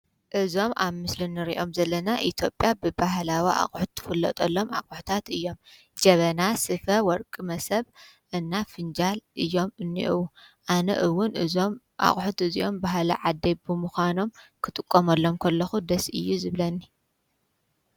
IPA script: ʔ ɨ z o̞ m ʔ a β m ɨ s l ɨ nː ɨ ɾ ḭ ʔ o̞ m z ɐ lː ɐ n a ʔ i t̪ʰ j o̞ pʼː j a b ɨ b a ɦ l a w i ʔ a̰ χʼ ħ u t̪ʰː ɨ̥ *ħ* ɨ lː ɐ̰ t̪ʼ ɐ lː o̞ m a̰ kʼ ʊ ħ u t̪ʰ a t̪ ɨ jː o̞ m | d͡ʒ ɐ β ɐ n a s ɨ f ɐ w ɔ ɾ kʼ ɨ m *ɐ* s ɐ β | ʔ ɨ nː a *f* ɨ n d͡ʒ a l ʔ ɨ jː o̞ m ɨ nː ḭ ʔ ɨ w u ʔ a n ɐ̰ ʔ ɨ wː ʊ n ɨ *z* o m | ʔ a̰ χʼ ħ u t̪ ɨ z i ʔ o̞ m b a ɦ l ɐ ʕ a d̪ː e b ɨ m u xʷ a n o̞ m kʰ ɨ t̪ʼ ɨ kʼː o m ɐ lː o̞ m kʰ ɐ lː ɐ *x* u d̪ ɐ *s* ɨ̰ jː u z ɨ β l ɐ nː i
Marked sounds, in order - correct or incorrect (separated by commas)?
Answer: incorrect, correct, correct, correct, correct, correct